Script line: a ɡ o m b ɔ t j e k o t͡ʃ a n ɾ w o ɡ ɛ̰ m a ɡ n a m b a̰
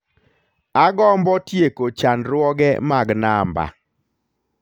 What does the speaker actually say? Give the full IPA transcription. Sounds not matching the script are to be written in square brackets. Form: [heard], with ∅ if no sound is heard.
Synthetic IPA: a ɡ [ɔ] m b ɔ t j e k o t͡ʃ a n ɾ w [ɔ] ɡ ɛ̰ m a ɡ n a m b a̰